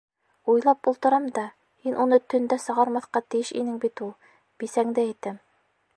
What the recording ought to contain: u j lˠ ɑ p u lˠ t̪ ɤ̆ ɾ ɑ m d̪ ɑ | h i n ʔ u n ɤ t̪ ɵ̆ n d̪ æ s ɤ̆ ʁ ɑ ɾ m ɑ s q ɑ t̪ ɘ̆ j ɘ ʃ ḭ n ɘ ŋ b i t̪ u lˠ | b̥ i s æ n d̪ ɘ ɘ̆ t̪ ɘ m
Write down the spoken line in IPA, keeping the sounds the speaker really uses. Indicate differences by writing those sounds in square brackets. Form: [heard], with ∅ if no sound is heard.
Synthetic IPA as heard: u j lˠ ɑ p u lˠ t̪ ɤ̆ ɾ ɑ m d̪ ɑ | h i n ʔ u n ɤ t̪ ɵ̆ n d̪ æ s ɤ̆ ʁ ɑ ɾ m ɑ [θ] q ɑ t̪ ɘ̆ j ɘ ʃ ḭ n ɘ ŋ b i t̪ u lˠ | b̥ i s æ [ŋ] d̪ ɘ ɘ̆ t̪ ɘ m